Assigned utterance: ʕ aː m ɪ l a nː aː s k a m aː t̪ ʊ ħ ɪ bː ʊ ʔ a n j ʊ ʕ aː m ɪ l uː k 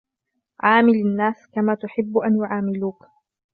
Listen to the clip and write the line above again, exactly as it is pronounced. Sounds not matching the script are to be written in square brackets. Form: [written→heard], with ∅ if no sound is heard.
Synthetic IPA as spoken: ʕ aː m ɪ l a nː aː s k a m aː t̪ ʊ ħ ɪ bː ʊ ʔ a n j ʊ ʕ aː m ɪ l uː k